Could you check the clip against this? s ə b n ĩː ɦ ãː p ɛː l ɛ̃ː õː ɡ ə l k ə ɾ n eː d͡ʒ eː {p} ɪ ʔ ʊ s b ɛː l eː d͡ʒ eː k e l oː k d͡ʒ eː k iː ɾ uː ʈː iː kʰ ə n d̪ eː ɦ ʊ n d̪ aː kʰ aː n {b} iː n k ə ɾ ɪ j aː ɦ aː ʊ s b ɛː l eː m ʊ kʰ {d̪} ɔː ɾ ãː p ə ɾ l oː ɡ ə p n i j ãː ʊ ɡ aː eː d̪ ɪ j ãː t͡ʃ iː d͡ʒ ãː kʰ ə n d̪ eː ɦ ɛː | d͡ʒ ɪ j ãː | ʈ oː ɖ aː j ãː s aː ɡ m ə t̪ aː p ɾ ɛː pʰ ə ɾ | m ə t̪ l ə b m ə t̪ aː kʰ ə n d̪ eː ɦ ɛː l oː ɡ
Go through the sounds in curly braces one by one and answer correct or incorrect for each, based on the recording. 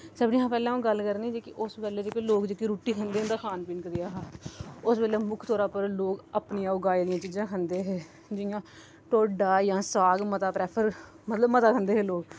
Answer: incorrect, incorrect, incorrect

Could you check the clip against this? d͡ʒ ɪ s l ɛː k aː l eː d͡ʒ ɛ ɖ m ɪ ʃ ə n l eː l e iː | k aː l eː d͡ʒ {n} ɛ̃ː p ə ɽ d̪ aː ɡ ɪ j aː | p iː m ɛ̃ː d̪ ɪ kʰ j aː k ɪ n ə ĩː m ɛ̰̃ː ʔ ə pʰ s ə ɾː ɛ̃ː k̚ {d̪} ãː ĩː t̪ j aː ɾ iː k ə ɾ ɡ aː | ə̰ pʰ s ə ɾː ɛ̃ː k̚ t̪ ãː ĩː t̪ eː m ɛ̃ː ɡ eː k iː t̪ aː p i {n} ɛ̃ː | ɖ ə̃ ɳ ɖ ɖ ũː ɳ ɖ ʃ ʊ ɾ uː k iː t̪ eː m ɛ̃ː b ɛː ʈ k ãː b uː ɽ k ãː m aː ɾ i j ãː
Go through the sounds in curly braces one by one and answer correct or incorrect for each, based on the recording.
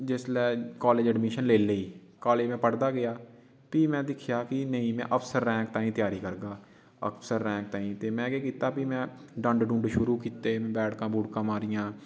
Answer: incorrect, incorrect, incorrect

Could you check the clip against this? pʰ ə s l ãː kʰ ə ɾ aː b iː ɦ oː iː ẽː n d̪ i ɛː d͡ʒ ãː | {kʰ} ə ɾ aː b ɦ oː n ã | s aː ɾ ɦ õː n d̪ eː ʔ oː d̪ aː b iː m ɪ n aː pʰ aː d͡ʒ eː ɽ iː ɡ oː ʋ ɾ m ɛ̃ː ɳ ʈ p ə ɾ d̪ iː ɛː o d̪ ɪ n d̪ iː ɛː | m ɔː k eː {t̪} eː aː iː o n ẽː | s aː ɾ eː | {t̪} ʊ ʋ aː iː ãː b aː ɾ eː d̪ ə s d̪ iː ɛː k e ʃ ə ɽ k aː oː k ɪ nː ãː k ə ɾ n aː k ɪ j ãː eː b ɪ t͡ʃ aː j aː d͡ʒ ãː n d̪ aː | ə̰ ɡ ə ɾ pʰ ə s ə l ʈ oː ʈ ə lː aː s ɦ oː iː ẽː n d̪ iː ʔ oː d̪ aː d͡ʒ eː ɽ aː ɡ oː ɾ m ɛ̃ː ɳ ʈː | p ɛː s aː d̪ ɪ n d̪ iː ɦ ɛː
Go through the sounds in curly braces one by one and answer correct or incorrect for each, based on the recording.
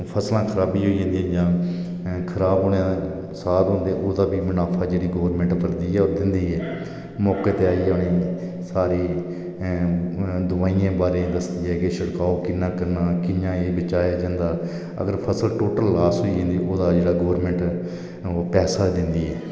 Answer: correct, correct, incorrect

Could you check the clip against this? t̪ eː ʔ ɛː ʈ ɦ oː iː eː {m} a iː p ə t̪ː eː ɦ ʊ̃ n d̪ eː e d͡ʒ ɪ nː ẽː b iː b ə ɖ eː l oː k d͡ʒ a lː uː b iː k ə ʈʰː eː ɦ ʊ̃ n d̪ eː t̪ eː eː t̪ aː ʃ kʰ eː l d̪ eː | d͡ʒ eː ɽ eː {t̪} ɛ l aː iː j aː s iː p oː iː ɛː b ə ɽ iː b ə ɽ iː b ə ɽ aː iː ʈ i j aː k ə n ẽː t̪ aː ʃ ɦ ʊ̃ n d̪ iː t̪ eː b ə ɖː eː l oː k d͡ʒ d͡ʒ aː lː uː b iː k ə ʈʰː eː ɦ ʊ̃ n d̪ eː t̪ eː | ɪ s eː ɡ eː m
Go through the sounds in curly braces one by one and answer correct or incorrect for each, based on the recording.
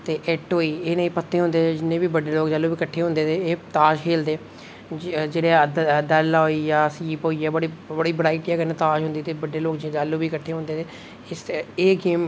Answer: incorrect, incorrect

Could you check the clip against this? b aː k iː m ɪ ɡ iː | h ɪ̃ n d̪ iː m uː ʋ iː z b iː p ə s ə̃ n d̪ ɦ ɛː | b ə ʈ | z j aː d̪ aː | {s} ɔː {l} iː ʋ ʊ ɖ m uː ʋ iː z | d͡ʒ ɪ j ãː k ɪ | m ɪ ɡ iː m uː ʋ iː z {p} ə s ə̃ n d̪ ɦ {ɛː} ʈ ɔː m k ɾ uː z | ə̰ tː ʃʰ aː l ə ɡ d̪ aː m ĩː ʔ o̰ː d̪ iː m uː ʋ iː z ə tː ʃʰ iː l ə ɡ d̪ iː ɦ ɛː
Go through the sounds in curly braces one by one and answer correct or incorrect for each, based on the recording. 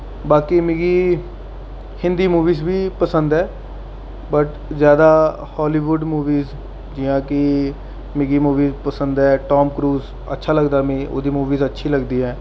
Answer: incorrect, correct, correct, correct

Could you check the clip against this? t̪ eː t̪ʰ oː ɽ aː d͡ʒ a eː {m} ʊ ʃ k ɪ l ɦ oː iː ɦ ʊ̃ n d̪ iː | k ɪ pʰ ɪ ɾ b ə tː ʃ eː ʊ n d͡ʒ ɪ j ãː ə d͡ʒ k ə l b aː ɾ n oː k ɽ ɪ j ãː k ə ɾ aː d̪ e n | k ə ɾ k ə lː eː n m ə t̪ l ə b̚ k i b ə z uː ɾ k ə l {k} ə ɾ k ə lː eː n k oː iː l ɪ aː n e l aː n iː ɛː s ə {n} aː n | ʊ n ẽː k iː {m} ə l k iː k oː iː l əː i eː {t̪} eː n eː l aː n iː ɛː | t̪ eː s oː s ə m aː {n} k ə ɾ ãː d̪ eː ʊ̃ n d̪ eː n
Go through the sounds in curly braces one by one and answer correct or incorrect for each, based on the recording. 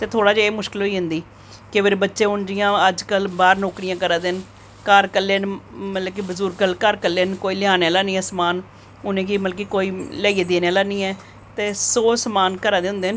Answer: correct, correct, incorrect, correct, incorrect, correct

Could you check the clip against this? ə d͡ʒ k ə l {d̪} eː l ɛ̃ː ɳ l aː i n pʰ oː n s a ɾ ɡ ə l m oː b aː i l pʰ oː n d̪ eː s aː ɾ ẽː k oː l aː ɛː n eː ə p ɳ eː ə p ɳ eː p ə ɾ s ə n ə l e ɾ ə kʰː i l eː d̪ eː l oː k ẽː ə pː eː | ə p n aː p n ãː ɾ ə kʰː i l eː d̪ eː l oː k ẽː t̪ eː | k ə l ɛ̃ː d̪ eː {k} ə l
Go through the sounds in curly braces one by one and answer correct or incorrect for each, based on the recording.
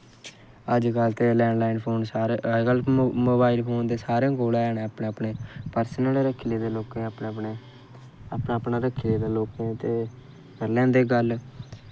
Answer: incorrect, incorrect

